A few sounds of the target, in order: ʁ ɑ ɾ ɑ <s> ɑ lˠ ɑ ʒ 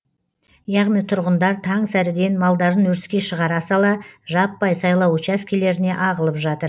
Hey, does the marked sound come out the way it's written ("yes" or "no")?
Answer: yes